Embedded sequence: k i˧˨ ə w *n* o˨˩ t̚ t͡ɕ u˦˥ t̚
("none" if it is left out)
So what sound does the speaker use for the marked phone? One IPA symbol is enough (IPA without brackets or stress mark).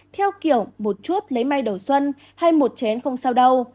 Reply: m